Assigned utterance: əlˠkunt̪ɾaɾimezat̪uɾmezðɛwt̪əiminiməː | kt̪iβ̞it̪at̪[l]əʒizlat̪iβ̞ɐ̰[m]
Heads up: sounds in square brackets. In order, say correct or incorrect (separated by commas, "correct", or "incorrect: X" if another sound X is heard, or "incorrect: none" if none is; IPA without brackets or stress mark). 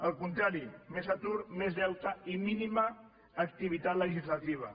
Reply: correct, incorrect: none